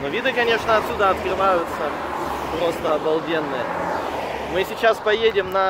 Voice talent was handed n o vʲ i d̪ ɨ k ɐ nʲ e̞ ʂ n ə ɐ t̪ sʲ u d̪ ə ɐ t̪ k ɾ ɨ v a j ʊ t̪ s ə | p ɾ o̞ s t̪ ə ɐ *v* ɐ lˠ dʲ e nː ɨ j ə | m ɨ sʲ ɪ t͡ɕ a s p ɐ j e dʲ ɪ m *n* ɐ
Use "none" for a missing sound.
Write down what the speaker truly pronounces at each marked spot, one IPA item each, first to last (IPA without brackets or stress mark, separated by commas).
b, n